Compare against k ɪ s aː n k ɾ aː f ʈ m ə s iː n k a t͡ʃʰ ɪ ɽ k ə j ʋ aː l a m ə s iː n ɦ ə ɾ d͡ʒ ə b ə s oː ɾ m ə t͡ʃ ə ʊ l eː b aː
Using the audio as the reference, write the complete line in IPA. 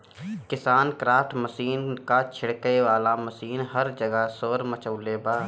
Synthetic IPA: k ɪ s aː n k ɾ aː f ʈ m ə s iː n k a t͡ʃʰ ɪ ɽ k ə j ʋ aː l a m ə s iː n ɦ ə ɾ d͡ʒ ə ɡ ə s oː ɾ m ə t͡ʃ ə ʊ l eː b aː